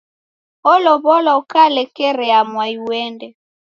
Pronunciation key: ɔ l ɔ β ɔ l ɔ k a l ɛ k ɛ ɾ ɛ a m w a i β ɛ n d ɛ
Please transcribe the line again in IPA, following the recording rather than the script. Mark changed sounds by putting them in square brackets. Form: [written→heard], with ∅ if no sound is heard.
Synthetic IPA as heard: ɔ l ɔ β ɔ l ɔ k a l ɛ k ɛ ɾ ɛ a m w a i [β→w] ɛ n d ɛ

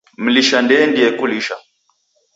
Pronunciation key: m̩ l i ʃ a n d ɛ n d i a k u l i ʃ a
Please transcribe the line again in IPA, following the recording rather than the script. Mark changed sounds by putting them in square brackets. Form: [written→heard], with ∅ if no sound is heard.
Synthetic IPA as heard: m̩ l i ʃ a n d ɛ n d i [a→ɛ] k u l i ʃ a

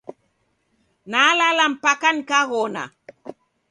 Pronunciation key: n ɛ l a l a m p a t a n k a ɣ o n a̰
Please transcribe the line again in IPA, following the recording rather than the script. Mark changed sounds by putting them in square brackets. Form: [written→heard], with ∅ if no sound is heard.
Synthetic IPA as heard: n [ɛ→a] l a l a m p a [t→k] a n k a ɣ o n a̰

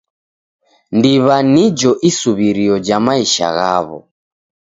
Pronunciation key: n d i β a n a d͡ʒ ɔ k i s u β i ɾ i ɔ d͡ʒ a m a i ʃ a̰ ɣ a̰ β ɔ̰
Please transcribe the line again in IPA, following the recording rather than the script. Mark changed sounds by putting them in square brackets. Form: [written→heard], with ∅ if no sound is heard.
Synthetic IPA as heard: n d i β a n [a→i] d͡ʒ ɔ [k→ʔ] i s u β i ɾ i ɔ d͡ʒ a m a i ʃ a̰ ɣ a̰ β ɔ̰

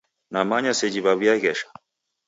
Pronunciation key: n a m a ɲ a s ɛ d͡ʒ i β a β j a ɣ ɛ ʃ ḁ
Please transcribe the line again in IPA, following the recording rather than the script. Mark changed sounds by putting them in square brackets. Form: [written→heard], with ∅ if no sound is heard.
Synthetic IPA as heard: n a m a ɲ a s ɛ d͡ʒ i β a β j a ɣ ɛ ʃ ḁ

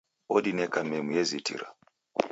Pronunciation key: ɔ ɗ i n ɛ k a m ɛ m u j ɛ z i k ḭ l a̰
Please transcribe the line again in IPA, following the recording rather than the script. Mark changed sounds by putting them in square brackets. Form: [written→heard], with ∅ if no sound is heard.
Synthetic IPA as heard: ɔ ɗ i n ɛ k a m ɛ m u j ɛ z i [k→t] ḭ [l→ɾ] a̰

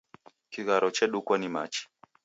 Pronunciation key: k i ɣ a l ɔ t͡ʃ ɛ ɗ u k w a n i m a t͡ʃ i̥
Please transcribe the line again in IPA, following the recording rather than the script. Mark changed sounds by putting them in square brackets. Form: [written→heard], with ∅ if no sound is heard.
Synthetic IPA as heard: k i ɣ a [l→ɾ] ɔ t͡ʃ ɛ ɗ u k w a n i m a t͡ʃ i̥

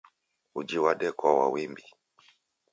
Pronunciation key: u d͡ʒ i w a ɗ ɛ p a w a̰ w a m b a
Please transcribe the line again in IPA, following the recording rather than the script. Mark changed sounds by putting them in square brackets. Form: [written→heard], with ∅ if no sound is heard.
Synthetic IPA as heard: u d͡ʒ i w a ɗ ɛ [p→k] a w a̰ w [a→i] m b [a→i]

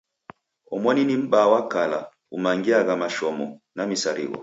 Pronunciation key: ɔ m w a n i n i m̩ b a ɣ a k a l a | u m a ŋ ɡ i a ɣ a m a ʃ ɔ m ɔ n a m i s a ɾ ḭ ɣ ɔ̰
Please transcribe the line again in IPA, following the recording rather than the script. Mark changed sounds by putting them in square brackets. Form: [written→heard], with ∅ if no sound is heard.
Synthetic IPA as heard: ɔ m w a n i n i m̩ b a [ɣ→w] a k a l a | u m a ŋ ɡ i a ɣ a m a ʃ ɔ m ɔ n a m i s a ɾ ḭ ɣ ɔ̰

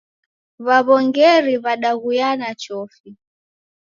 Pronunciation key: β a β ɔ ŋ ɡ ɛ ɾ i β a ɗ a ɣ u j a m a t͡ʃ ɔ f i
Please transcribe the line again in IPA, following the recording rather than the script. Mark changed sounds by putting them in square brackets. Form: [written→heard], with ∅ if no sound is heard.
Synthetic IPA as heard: β a β ɔ ŋ ɡ ɛ ɾ i β a ɗ a ɣ u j a [m→n] a t͡ʃ ɔ f i

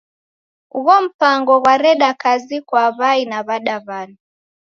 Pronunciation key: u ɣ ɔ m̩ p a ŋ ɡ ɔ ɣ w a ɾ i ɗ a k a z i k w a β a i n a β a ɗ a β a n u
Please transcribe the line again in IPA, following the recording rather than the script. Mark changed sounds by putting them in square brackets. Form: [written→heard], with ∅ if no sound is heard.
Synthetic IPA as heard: u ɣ ɔ m̩ p a ŋ ɡ ɔ ɣ w a ɾ [i→ɛ] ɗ a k a z i k w a β a i n a β a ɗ a β a n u

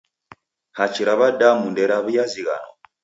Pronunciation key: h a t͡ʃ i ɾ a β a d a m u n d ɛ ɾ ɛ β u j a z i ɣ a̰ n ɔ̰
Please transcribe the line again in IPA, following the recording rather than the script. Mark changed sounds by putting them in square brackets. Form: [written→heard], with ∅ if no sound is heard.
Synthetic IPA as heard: h a t͡ʃ i ɾ a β a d a m u n d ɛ ɾ [ɛ→a] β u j a z i ɣ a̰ n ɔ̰

